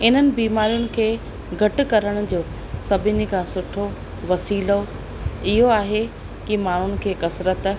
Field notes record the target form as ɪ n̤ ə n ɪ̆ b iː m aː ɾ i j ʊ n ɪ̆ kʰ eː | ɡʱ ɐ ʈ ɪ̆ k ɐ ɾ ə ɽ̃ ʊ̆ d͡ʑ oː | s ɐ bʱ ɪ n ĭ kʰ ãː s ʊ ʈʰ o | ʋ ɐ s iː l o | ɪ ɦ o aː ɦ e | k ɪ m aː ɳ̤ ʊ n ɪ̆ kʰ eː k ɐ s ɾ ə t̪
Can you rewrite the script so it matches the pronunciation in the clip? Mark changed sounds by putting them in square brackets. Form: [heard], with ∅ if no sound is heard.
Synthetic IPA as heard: ɪ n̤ ə n ɪ̆ b iː m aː ɾ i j ʊ n ɪ̆ kʰ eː | ɡʱ ɐ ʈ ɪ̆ k ɐ ɾ ə ɽ̃ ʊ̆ d͡ʑ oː | s ɐ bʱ ɪ n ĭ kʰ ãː s ʊ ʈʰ o | ʋ ɐ s iː l o | ɪ ɦ o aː ɦ e | k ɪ m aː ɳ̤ ʊ n ɪ̆ kʰ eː k ɐ s ɾ ə t̪